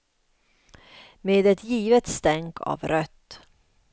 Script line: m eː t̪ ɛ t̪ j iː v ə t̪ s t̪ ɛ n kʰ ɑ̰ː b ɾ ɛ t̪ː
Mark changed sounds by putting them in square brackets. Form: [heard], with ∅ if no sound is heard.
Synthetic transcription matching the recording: m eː [d̪] ɛ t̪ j iː v ə t̪ s t̪ ɛ [ŋ] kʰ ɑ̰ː [v] ɾ [œ] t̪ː